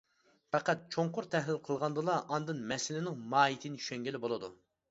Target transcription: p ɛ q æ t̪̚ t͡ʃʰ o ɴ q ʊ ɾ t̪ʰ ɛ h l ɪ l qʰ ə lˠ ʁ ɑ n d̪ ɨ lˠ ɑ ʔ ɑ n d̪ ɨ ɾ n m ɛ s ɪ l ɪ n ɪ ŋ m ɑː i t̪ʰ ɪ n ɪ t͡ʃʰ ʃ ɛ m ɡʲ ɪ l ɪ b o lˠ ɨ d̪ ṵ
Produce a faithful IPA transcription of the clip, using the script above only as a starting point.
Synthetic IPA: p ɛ q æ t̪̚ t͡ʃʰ o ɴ q ʊ ɾ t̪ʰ ɛ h l ɪ l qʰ ə lˠ ʁ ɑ n d̪ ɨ lˠ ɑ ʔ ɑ n d̪ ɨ n m ɛ s ɪ l ɪ n ɪ ŋ m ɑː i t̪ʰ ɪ n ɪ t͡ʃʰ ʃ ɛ ŋ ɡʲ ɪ l ɪ b o lˠ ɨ d̪ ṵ